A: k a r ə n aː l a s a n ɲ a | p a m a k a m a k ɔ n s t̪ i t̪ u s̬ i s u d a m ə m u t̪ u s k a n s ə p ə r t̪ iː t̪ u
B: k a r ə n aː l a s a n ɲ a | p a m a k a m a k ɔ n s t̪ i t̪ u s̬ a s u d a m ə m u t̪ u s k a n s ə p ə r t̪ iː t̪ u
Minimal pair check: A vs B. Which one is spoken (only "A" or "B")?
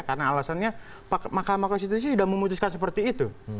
A